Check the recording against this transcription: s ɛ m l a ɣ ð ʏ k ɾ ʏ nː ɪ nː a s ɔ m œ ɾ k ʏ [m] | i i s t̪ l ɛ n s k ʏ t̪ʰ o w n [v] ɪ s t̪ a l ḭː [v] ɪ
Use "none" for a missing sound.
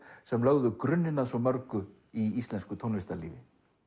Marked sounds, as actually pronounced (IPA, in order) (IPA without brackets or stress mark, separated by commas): none, v, v